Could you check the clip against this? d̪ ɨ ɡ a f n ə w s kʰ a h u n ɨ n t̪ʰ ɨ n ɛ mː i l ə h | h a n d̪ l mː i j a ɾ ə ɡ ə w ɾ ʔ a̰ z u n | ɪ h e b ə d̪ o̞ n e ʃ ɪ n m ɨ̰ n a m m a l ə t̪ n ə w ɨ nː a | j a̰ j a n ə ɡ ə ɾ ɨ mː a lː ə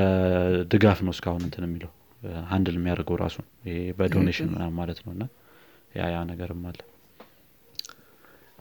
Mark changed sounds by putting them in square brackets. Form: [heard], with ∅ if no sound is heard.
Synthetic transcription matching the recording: d̪ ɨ ɡ a f n ə w s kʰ a h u n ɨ n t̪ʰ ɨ n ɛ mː i l ə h | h a n d̪ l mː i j a ɾ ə ɡ ə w ɾ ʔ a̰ [s] u n | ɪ h e b ə d̪ o̞ n e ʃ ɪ n m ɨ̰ n a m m a l ə t̪ n ə w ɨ nː a | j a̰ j a n ə ɡ ə ɾ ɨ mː a lː ə